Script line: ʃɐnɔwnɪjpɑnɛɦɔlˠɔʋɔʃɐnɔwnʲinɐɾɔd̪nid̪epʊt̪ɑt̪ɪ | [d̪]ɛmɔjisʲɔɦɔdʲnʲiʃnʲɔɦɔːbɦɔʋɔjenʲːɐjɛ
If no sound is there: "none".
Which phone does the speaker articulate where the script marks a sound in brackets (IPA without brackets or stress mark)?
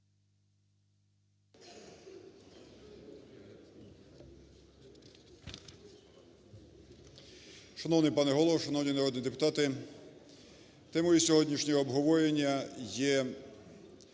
t̪